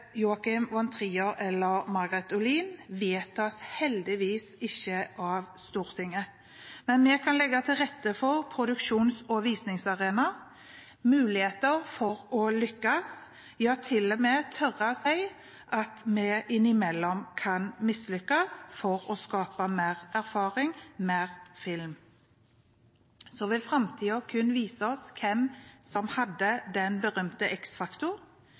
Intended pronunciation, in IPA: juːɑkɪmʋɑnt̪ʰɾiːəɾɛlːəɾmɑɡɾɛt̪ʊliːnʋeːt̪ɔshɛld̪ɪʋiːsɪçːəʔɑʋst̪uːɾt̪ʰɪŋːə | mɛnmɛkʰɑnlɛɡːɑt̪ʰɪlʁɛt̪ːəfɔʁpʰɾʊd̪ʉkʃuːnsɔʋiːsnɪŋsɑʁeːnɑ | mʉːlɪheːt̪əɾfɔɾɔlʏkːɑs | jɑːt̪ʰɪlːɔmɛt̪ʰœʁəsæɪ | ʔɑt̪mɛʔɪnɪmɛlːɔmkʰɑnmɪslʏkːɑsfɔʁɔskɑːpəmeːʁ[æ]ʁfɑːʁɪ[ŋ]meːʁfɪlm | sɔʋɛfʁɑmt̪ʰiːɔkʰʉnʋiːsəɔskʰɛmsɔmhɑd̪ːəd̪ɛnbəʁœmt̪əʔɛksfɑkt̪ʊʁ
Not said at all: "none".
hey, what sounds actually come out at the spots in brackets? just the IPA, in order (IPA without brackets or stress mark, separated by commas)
æ, ŋ